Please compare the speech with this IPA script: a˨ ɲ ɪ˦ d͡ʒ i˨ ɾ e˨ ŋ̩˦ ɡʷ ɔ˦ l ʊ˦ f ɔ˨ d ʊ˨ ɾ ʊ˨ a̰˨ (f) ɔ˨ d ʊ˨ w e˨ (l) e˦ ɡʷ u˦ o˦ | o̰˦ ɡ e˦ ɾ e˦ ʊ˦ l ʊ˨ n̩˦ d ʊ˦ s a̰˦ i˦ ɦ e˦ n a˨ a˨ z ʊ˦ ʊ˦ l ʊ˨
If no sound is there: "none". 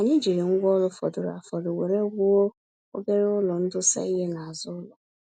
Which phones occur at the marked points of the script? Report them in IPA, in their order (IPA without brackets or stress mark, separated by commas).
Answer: f, ɾ